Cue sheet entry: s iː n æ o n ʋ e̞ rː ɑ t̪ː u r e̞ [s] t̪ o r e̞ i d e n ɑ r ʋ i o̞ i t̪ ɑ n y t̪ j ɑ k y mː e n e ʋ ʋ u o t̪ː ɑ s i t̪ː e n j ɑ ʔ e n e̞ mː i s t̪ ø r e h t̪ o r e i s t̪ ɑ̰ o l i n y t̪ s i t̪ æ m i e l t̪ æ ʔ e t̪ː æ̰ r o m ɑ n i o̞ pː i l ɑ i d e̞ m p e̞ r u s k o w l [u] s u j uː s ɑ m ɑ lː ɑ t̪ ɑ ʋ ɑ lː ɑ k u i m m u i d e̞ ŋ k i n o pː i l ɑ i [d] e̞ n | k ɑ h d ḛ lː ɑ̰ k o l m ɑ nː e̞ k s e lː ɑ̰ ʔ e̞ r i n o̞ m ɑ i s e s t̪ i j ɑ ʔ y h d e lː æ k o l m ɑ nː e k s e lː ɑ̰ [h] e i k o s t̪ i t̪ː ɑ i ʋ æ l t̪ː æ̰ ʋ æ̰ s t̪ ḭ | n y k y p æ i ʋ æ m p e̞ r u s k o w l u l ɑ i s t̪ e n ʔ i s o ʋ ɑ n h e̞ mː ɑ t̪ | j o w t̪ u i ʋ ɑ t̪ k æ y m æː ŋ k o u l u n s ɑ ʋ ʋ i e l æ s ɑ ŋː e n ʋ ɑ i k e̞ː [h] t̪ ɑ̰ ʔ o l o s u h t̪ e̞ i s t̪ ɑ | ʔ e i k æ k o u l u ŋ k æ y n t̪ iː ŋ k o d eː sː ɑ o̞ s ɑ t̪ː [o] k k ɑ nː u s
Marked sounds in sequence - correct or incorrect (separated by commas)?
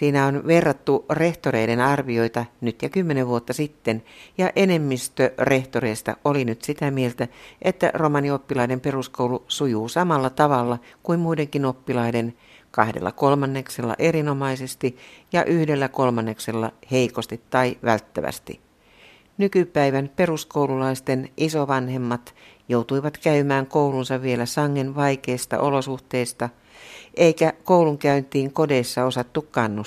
incorrect, correct, correct, correct, incorrect, incorrect